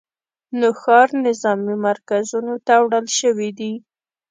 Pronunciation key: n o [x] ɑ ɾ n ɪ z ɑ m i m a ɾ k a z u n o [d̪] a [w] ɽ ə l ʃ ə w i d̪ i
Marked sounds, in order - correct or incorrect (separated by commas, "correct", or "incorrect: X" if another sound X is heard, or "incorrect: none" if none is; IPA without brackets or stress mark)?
correct, incorrect: t̪, correct